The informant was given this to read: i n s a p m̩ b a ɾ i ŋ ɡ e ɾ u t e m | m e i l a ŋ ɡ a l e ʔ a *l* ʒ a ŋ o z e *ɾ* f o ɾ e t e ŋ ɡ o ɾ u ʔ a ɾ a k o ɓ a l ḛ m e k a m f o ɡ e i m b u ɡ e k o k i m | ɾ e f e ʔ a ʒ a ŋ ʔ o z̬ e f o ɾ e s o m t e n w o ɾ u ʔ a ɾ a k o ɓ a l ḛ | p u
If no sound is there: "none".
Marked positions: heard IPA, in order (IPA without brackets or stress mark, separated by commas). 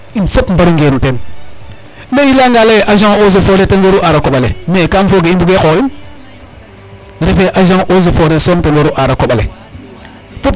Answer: none, none